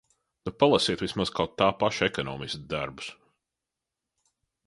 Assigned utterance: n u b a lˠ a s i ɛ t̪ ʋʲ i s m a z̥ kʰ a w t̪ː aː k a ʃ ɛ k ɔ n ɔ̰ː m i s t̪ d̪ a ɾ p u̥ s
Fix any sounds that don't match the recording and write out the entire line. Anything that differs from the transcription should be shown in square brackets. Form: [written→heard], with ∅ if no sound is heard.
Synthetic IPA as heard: n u [b→p] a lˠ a s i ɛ t̪ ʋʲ i s m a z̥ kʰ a w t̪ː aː [k→p] a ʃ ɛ k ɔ n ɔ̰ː m i s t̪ d̪ a ɾ [p→b] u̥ s